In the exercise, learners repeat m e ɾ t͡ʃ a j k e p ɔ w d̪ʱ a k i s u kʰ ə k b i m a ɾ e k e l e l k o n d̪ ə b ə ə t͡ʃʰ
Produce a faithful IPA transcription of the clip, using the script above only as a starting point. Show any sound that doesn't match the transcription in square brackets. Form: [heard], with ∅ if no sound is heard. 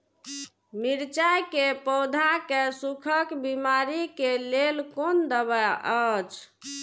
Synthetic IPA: m [i] ɾ t͡ʃ a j k e p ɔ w d̪ʱ a k [e] s u kʰ ə k b i m a ɾ [i] k e l e l k o n d̪ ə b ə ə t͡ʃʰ